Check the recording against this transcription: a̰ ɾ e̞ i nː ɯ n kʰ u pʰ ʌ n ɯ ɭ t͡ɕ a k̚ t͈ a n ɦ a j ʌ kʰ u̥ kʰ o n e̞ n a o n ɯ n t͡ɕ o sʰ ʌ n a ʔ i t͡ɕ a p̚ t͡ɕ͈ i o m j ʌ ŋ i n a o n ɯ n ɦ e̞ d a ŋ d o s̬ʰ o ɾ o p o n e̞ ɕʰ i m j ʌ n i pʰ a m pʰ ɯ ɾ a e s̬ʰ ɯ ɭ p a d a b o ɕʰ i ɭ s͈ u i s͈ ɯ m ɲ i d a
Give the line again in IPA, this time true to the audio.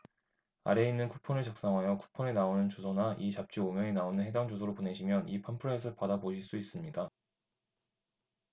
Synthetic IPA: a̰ ɾ e̞ i nː ɯ n kʰ u pʰ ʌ n ɯ ɭ t͡ɕ a k̚ s͈ a ŋ ɦ a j ʌ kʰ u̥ pʰ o n e̞ n a o n ɯ n t͡ɕ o sʰ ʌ n a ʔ i t͡ɕ a p̚ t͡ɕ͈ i o m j ʌ ŋ i n a o n ɯ n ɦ e̞ d a ŋ d͡ʑ o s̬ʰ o ɾ o p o n e̞ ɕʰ i m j ʌ n i pʰ a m pʰ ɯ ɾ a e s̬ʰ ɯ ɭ p a d a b o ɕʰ i ɭ s͈ u i s͈ ɯ m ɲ i d a